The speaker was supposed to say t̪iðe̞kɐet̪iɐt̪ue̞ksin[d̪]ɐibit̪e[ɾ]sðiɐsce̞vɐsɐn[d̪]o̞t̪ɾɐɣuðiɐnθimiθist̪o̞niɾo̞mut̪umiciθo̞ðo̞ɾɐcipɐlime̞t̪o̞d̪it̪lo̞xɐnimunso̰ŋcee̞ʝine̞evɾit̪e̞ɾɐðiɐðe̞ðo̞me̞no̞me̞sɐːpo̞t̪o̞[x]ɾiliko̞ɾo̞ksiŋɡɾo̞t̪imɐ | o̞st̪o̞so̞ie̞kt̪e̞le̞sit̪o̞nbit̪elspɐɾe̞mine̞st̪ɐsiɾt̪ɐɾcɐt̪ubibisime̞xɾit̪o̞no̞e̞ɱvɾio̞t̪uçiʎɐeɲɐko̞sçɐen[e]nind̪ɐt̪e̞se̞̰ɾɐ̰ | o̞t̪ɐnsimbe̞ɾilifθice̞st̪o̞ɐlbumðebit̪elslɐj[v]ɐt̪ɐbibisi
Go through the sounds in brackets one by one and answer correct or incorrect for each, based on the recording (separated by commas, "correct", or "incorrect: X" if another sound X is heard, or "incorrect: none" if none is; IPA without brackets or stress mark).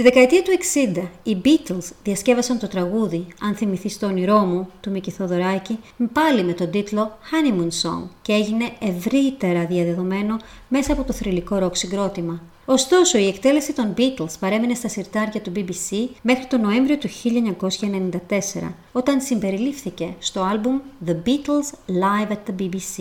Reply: correct, incorrect: l, incorrect: t̪, incorrect: θ, correct, correct